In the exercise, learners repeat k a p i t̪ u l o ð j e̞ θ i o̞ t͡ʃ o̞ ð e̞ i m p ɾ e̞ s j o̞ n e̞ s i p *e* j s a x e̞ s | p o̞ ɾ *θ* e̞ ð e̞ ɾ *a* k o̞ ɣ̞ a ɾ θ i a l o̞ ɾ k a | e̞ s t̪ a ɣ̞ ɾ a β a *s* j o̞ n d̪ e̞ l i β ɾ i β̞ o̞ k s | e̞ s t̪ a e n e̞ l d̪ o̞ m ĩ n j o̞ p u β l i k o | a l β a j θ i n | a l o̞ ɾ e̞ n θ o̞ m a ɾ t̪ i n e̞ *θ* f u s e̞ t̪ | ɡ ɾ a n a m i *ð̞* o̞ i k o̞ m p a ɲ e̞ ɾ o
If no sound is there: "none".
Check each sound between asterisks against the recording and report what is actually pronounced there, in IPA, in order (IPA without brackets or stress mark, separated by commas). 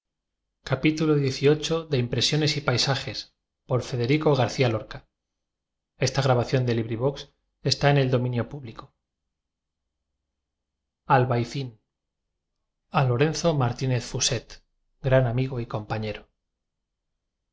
a, f, i, θ, θ, ɣ̞